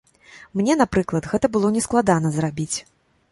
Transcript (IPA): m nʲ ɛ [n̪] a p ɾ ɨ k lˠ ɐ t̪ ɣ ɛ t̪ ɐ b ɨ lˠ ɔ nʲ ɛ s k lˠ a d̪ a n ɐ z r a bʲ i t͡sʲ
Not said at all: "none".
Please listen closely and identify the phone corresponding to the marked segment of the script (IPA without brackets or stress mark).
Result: n̪